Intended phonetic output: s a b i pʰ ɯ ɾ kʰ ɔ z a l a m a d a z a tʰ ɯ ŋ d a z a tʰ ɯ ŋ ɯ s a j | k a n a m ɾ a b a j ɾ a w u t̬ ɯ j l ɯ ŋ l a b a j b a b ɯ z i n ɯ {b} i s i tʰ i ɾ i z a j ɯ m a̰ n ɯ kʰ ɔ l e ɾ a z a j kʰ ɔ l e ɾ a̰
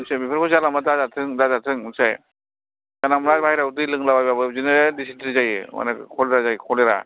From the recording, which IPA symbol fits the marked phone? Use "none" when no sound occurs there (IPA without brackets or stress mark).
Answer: d